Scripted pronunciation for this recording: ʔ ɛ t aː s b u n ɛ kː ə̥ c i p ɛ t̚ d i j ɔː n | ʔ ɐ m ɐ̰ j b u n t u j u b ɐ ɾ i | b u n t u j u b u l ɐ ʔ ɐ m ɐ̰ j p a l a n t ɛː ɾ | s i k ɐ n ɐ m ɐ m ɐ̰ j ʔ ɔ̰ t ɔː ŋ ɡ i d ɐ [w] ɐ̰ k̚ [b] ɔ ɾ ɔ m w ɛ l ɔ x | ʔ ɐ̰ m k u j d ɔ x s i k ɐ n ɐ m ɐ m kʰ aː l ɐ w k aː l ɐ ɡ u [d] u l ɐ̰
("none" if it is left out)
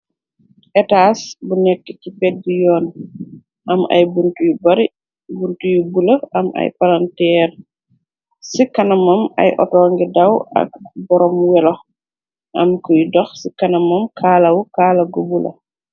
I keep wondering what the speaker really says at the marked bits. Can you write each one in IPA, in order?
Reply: w, b, b

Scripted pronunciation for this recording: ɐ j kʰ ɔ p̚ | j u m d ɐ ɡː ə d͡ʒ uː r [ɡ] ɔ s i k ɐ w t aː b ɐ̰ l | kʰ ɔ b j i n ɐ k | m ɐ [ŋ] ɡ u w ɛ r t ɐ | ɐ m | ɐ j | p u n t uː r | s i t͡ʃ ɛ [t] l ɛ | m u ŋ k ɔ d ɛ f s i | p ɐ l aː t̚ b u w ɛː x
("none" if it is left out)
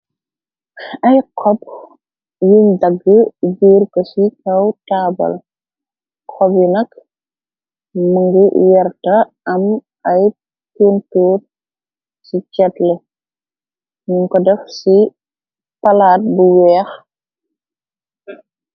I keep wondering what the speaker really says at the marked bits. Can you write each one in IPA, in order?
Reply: k, ŋ, t

